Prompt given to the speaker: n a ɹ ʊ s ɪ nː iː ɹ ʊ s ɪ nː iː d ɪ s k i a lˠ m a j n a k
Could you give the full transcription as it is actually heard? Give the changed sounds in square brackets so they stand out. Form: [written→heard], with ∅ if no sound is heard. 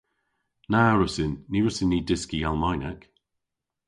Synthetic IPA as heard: n a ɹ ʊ s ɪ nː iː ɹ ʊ s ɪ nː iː d ɪ s k i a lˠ m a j n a k